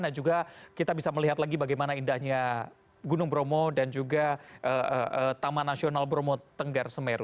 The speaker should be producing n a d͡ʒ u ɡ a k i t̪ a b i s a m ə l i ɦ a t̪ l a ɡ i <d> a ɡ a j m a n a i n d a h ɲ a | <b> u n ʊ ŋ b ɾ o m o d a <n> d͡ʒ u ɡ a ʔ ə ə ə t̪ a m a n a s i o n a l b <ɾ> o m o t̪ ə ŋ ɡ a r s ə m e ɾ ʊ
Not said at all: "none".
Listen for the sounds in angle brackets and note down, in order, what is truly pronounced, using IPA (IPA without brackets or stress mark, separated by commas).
b, ɡ, n, ɾ